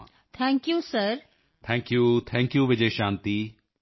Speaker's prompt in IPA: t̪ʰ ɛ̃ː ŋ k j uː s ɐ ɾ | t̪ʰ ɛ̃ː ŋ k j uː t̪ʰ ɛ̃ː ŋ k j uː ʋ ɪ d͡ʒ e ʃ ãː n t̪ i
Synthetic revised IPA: t̪ʰ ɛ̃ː ŋ k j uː s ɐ ɾ | t̪ʰ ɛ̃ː ŋ k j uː t̪ʰ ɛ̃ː ŋ k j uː ʋ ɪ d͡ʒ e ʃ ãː n t̪ i